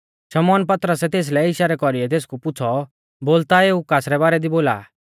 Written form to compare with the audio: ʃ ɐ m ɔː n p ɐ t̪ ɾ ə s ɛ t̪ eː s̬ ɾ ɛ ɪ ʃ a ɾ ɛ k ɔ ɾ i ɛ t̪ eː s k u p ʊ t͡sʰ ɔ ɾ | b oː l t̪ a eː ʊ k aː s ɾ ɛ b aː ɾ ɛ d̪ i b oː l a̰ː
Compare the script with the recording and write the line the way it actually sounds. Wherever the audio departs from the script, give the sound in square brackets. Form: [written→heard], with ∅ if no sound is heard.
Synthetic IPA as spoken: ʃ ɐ m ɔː n p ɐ t̪ ɾ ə s ɛ t̪ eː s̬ [ɾ→l] ɛ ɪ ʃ a ɾ ɛ k ɔ ɾ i ɛ t̪ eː s k u p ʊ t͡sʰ ɔ [ɾ→∅] | b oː l t̪ a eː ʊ k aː s ɾ ɛ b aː ɾ ɛ d̪ i b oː l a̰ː

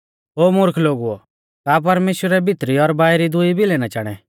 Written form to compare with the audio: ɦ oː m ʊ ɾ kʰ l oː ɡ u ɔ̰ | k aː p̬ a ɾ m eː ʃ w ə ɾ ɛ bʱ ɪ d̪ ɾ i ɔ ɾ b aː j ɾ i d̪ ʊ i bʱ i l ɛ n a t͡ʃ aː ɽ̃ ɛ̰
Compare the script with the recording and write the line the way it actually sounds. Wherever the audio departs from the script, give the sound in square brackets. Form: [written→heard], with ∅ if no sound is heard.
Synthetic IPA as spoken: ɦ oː m ʊ ɾ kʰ l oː ɡ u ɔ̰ | k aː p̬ [a→ɐ] ɾ m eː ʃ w ə ɾ ɛ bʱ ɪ [d̪→t̪] ɾ i ɔ ɾ b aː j ɾ i d̪ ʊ i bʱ i l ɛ n a t͡ʃ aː ɽ̃ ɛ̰

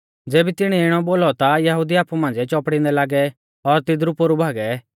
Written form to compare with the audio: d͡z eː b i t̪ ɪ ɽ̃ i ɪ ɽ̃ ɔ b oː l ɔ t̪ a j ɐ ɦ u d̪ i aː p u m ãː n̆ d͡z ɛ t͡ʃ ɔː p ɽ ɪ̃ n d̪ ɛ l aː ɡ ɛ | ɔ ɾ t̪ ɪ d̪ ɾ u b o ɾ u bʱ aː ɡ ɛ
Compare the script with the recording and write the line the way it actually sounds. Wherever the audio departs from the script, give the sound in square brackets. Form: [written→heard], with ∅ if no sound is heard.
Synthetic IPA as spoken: d͡z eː b i t̪ ɪ ɽ̃ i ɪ ɽ̃ ɔ b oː l ɔ t̪ a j ɐ ɦ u d̪ i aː p u m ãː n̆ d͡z ɛ t͡ʃ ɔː p ɽ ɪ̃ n d̪ ɛ l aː ɡ ɛ | ɔ ɾ t̪ ɪ d̪ ɾ u [b→p] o ɾ u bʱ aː ɡ ɛ

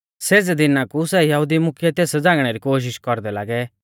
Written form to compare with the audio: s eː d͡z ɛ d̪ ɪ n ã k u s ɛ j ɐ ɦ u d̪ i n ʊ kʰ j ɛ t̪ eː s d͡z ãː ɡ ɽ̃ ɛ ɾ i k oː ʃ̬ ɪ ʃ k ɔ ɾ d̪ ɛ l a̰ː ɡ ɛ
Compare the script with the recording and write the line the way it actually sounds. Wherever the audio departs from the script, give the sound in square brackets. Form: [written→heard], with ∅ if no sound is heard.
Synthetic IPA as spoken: s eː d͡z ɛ d̪ ɪ n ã k u s ɛ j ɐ ɦ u d̪ i [n→m] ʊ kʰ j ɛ t̪ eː s d͡z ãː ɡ ɽ̃ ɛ ɾ i k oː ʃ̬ ɪ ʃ k ɔ ɾ d̪ ɛ l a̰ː ɡ ɛ

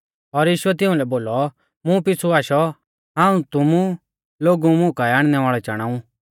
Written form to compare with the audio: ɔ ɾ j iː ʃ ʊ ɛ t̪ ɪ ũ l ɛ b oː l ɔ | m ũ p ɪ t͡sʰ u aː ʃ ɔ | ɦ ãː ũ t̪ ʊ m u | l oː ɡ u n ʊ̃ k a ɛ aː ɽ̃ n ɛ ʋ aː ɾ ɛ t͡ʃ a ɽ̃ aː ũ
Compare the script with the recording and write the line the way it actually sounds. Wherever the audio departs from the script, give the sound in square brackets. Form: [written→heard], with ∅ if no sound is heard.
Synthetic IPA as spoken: ɔ ɾ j iː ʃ ʊ ɛ t̪ ɪ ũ l ɛ b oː l ɔ | m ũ p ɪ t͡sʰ u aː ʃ ɔ | ɦ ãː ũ t̪ ʊ m u | l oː ɡ u [n→m] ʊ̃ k a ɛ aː ɽ̃ n ɛ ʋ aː [ɾ→ɭ] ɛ t͡ʃ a ɽ̃ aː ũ

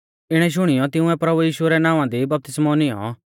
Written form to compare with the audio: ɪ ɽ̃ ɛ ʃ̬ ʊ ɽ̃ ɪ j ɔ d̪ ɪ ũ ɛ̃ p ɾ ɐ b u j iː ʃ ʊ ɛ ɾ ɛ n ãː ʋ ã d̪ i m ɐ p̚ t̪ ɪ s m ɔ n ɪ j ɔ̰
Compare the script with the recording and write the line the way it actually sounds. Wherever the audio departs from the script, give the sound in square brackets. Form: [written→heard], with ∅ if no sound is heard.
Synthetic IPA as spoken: ɪ ɽ̃ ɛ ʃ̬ ʊ ɽ̃ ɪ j ɔ [d̪→t̪] ɪ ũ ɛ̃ p ɾ ɐ b u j iː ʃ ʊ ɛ ɾ ɛ n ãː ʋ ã d̪ i [m→b] ɐ p̚ t̪ ɪ s m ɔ n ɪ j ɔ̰

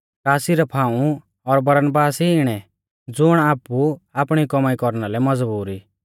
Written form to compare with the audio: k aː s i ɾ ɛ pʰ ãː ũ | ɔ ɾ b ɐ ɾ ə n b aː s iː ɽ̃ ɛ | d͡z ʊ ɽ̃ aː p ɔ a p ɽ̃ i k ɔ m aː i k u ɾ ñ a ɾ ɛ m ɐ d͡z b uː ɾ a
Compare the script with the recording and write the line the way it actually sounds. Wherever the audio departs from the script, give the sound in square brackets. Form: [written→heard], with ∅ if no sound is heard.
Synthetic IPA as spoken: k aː s i ɾ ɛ pʰ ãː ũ | ɔ ɾ b ɐ ɾ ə n b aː s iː ɽ̃ ɛ | d͡z ʊ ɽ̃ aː p [ɔ→u] a p ɽ̃ i k ɔ m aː i k [u→ɔ] ɾ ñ a [ɾ→l] ɛ m ɐ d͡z b uː ɾ [a→i]

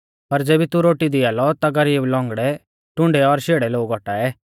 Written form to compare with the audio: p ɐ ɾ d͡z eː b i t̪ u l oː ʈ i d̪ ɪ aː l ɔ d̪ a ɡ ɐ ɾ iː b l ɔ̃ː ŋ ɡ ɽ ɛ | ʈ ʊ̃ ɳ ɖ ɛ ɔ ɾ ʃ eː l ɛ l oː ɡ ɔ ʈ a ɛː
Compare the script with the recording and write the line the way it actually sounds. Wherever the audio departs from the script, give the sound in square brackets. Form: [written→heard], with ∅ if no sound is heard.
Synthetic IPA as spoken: p ɐ ɾ d͡z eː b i t̪ u [l→ɾ] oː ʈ i d̪ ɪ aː l ɔ [d̪→t̪] a ɡ ɐ ɾ iː b l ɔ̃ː ŋ ɡ ɽ ɛ | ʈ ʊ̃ ɳ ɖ ɛ ɔ ɾ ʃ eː [l→ɽ] ɛ l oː ɡ ɔ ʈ a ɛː

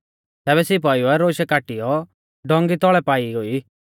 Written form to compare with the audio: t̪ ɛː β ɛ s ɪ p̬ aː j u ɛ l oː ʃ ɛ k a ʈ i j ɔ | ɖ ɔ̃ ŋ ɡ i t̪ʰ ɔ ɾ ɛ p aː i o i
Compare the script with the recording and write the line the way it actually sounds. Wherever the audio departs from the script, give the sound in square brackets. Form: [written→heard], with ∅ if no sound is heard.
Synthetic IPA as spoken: t̪ ɛː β ɛ s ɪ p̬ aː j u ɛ [l→ɾ] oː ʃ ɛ k a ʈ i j ɔ | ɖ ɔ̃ ŋ ɡ i [t̪ʰ→t̪] ɔ [ɾ→ɭ] ɛ p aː i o i

